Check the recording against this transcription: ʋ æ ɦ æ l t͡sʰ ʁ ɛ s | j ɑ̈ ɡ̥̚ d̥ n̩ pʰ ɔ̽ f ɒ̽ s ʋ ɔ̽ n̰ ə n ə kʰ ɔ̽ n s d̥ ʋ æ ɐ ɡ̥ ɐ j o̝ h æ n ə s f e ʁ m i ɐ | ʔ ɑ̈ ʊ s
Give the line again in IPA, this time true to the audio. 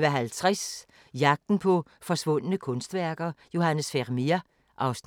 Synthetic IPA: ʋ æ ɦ æ l t͡sʰ ʁ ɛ s | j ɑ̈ ɡ̥̚ d̥ n̩ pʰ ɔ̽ f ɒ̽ s ʋ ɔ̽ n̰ ə n ə kʰ ɔ̽ n s d̥ ʋ æ ɐ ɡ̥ ɐ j o̝ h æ n ə s f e ʁ m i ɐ | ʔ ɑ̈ ʊ s

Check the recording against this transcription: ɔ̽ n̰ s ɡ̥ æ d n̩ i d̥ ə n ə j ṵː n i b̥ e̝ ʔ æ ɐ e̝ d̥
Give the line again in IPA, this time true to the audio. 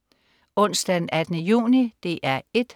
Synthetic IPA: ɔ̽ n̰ s d̥ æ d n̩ æ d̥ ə n ə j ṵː n i d̥ e̝ ʔ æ ɐ e̝ d̥

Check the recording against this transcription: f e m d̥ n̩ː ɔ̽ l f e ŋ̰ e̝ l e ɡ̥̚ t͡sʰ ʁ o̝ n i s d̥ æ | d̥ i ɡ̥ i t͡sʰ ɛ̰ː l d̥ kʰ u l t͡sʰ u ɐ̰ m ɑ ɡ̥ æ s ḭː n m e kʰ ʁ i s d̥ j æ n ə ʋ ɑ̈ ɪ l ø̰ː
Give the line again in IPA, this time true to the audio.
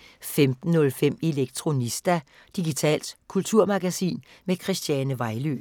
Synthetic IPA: f e m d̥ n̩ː ɔ̽ l f e m̰ e̝ l e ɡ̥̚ t͡sʰ ʁ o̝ n i s d̥ æ | d̥ i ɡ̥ i t͡sʰ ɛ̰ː l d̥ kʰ u l t͡sʰ u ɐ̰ m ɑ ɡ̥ æ s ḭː n m e kʰ ʁ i s d̥ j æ n ə ʋ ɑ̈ ɪ l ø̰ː

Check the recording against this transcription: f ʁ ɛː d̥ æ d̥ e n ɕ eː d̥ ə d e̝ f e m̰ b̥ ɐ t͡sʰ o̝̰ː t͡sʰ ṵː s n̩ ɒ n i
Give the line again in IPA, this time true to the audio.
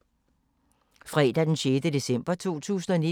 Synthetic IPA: f ʁ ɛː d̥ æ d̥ e n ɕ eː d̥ ə d e̝ s e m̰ b̥ ɐ t͡sʰ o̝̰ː t͡sʰ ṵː s n̩ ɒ n i

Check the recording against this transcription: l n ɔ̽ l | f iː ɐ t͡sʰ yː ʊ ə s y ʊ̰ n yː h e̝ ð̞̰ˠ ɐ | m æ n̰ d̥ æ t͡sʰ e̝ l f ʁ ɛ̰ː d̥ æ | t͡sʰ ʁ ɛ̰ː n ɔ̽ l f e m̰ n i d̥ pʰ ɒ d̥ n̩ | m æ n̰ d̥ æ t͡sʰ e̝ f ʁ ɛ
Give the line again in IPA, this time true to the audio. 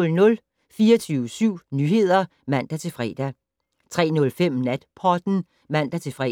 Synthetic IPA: l n ɔ̽ l | f iː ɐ t͡sʰ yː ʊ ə s y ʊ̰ n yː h e̝ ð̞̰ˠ ɐ | m æ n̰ d̥ æ t͡sʰ e̝ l f ʁ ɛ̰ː d̥ æ | t͡sʰ ʁ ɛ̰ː n ɔ̽ l f e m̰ n æ d̥ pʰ ɒ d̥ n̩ | m æ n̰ d̥ æ t͡sʰ e̝ f ʁ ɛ

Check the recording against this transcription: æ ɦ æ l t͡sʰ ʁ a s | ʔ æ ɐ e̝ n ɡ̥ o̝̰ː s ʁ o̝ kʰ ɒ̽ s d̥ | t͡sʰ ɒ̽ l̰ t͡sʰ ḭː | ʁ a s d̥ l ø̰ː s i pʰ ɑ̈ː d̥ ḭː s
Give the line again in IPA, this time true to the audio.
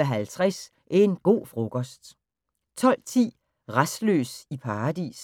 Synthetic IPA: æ ɦ æ l t͡sʰ ʁ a s | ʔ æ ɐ e̝ n ɡ̥ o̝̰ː f ʁ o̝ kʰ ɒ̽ s d̥ | t͡sʰ ɒ̽ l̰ t͡sʰ ḭː | ʁ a s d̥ l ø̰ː s i pʰ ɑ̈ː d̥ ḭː s

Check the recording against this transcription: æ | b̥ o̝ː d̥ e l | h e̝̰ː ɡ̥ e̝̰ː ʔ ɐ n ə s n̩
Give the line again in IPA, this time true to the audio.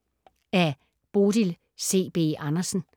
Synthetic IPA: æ | b̥ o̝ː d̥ i l | s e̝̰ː b̥ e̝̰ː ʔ ɑ n ɐ s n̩

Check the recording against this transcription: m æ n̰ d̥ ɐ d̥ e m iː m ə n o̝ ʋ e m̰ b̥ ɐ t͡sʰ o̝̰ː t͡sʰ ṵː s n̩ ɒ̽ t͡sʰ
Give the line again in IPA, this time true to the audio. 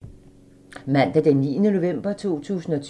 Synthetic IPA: m æ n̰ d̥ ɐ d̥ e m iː n ə n o̝ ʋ e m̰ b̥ ɐ t͡sʰ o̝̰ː t͡sʰ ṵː s n̩ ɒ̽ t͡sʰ

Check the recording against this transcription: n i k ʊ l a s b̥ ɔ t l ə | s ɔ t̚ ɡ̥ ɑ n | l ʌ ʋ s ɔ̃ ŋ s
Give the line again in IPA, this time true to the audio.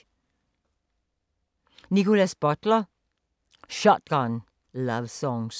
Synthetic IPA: n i k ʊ l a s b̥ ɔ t l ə | ʃ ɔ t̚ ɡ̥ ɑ n | l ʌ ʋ s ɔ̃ ŋ s

